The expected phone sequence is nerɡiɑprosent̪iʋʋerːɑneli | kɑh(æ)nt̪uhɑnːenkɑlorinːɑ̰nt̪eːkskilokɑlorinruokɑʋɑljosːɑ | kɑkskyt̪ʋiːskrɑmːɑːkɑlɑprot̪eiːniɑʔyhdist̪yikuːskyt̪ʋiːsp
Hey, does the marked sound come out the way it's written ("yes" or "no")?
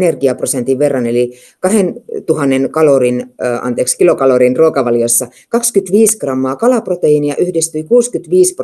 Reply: no